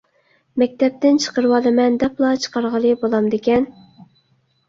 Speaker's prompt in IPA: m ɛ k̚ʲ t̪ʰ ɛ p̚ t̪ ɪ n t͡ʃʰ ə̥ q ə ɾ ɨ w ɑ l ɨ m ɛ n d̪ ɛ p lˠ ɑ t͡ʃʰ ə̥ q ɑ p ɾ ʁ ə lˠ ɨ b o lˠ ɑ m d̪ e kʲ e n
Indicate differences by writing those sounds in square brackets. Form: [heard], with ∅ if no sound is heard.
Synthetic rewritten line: m ɛ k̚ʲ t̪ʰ ɛ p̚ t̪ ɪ n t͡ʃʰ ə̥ q ə ɾ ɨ w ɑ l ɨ m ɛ n d̪ ɛ p lˠ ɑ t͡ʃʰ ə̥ q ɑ [∅] ɾ ʁ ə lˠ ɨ b o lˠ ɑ m d̪ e kʲ [ɛ] n

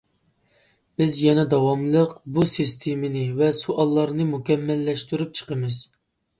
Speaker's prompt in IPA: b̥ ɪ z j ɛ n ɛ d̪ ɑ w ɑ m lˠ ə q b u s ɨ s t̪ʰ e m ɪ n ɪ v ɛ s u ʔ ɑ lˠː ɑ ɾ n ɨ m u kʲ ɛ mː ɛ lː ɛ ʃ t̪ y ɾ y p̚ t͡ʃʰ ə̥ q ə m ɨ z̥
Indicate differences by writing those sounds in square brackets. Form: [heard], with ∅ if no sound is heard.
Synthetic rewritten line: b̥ ɪ z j ɛ n ɛ d̪ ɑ w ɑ m lˠ ə q b u s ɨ s t̪ʰ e m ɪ n ɪ v ɛ s u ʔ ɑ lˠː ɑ ɾ n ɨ m u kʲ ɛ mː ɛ lː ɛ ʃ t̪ y ɾ y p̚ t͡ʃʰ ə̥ q ə m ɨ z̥

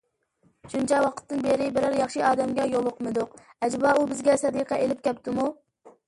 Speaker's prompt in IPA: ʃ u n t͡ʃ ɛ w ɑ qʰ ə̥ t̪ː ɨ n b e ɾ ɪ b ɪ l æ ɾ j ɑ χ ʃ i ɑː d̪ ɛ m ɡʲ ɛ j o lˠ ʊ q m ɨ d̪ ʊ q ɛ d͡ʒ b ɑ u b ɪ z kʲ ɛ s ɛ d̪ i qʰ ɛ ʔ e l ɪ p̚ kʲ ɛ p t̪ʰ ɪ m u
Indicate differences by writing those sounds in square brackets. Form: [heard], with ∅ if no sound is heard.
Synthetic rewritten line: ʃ u n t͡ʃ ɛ w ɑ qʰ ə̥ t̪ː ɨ n b e ɾ ɪ b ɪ [ɾ] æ ɾ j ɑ χ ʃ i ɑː d̪ ɛ m ɡʲ ɛ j o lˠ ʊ q m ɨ d̪ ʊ q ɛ d͡ʒ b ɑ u b ɪ z [ɡʲ] ɛ s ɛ d̪ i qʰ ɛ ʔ e l ɪ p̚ kʲ ɛ p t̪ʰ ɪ m u

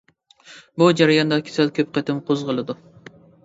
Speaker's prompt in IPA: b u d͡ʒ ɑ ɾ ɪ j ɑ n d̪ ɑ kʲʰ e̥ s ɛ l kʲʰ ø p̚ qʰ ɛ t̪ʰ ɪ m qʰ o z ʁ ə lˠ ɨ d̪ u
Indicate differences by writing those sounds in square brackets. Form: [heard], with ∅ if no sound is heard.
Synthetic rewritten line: b u d͡ʒ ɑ ɾ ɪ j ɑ n d̪ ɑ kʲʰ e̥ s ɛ l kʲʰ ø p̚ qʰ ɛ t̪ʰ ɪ m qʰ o z ʁ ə lˠ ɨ d̪ u

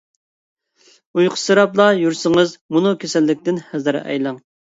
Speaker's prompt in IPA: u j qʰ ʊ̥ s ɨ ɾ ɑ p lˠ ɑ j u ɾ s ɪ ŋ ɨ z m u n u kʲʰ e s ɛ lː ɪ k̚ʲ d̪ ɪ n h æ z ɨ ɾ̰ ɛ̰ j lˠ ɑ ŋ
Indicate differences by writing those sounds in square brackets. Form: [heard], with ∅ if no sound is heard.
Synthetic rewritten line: u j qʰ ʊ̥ s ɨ ɾ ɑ p lˠ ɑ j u ɾ s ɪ ŋ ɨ z m u n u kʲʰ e s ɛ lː ɪ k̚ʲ [t̪] ɪ n h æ z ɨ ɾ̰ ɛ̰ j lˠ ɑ ŋ

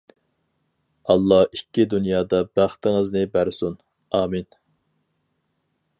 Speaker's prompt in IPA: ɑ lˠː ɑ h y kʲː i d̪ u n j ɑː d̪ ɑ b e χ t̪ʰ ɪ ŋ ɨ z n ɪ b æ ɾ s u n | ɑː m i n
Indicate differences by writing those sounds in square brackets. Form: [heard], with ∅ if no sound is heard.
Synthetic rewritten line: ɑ lˠː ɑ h [i] kʲː i d̪ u n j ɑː d̪ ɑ b [æ] χ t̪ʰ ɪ ŋ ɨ z n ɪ b æ ɾ s u n | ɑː m i n

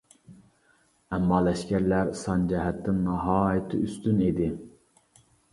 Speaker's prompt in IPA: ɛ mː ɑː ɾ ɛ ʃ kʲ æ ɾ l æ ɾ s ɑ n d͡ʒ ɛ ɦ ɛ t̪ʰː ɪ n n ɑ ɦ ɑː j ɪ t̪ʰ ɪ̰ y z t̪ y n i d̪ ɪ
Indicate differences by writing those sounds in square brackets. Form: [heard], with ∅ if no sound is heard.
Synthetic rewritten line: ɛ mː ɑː [l] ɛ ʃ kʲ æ ɾ l æ ɾ s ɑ n d͡ʒ ɛ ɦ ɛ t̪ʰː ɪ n n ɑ ɦ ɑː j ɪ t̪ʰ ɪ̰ y [s] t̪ y n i d̪ ɪ

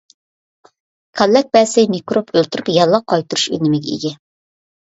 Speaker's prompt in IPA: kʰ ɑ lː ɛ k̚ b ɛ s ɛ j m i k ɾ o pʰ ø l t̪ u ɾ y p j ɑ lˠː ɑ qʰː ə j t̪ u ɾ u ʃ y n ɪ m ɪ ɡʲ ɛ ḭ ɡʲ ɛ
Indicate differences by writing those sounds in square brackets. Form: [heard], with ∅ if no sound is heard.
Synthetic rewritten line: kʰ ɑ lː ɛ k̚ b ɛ s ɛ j m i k ɾ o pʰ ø l t̪ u ɾ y p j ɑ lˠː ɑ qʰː [ɑ] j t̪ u ɾ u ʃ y n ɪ m ɪ ɡʲ ɛ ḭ ɡʲ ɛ

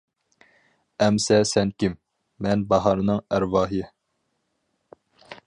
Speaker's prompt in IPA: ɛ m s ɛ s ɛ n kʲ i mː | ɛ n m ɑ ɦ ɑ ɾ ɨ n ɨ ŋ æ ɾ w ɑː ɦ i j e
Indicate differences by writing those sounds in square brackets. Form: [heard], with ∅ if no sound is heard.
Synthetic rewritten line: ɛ m s ɛ s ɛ n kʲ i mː | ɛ n [b] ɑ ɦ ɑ ɾ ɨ n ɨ ŋ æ ɾ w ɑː ɦ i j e

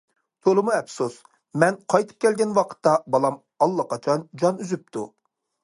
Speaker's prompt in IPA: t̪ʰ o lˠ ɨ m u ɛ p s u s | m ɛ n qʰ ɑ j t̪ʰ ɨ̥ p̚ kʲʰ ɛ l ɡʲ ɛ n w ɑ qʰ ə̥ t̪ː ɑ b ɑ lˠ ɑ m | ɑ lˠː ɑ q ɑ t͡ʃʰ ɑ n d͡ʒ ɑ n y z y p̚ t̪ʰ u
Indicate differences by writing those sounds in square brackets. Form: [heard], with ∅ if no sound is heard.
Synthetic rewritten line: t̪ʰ o lˠ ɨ m u ɛ p s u s | m ɛ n qʰ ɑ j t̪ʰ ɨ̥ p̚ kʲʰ ɛ l ɡʲ ɛ n w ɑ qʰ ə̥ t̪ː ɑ b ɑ lˠ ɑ m | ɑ lˠː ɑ q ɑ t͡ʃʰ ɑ n d͡ʒ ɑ n y z y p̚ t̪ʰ u

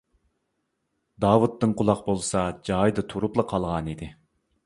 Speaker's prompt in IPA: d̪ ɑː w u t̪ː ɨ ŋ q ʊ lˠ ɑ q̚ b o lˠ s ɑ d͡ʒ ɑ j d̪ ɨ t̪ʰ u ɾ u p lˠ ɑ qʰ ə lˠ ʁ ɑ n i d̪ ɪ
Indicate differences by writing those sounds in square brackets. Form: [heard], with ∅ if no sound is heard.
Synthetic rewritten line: d̪ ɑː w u t̪ː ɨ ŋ q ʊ lˠ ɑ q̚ b o lˠ s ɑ d͡ʒ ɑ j d̪ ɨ t̪ʰ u ɾ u p lˠ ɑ qʰ [ɑ] lˠ ʁ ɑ n i d̪ ɪ

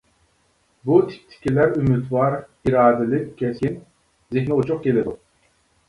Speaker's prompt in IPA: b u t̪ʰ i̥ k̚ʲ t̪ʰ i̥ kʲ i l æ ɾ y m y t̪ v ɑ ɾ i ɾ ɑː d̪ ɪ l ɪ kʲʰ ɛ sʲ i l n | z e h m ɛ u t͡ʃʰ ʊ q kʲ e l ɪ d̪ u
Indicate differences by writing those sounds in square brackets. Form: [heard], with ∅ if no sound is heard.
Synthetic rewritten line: b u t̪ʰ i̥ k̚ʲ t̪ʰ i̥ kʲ i l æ ɾ y m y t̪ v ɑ ɾ i ɾ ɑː d̪ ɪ l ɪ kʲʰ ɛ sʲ i [∅] n | z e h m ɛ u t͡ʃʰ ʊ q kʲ e l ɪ d̪ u

